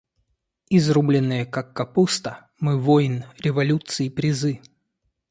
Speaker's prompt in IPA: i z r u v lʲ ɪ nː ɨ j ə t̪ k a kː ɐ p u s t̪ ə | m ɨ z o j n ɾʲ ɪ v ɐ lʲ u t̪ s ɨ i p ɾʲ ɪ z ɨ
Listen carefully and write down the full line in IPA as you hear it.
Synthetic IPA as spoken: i z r u b lʲ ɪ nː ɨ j ə k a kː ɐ p u s t̪ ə | m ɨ v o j n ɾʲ ɪ v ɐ lʲ u t̪ s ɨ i p ɾʲ ɪ z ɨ